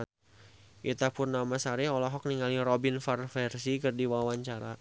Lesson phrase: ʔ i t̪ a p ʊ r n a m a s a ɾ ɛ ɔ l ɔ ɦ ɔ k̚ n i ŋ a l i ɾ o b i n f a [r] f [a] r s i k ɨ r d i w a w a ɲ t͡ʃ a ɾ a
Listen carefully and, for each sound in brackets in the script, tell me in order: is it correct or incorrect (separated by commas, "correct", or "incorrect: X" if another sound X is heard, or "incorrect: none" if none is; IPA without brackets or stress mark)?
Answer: correct, incorrect: ɛ